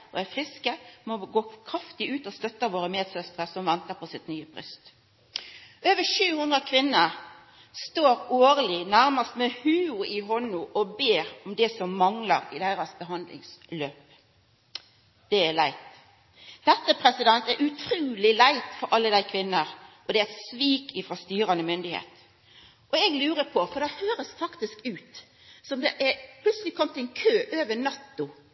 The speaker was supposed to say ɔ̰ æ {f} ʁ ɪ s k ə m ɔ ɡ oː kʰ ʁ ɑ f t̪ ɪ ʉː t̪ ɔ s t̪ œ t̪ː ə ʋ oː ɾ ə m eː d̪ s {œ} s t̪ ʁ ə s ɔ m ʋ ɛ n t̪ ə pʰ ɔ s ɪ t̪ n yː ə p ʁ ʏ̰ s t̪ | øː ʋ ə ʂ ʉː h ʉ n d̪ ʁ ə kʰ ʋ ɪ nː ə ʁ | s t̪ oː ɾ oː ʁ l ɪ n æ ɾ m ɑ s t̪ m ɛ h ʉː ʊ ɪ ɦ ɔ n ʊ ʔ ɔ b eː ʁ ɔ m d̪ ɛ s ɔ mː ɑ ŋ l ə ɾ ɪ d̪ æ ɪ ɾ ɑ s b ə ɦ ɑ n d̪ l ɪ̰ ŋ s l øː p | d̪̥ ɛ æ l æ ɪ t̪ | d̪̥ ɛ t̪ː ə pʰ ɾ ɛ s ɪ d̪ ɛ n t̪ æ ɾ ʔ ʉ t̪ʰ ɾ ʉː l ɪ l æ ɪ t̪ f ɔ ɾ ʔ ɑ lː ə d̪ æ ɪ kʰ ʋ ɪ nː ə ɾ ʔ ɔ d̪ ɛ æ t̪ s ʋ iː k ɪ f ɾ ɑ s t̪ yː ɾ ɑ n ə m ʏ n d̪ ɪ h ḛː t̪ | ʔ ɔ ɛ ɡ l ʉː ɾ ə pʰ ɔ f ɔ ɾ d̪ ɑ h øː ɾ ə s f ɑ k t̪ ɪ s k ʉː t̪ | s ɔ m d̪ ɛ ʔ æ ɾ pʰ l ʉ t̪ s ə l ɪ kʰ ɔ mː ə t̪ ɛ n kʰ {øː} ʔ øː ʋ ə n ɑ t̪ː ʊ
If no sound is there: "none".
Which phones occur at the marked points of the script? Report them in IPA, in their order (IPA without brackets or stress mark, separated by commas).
f, œ, øː